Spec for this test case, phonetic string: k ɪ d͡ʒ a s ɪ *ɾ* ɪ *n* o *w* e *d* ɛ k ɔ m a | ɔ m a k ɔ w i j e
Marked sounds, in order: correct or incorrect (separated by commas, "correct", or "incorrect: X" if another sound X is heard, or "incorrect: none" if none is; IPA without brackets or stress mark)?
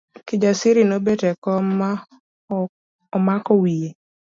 correct, correct, incorrect: b, incorrect: t